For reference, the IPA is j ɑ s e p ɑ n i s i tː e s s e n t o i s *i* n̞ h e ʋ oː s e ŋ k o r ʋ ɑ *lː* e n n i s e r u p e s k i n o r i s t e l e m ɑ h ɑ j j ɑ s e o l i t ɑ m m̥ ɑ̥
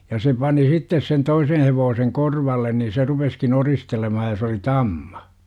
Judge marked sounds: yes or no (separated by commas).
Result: no, yes